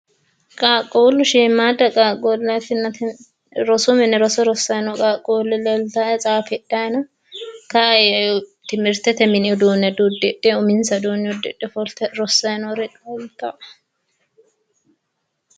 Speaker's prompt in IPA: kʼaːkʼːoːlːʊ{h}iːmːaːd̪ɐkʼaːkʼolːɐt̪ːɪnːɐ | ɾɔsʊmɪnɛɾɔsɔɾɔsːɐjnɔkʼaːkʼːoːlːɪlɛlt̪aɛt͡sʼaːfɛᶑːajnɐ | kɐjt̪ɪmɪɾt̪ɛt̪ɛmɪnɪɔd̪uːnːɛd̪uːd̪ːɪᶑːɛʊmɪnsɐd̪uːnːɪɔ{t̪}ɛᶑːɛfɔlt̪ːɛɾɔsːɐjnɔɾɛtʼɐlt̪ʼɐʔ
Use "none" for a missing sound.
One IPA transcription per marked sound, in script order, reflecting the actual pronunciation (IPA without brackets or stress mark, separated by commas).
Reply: ʃ, d̪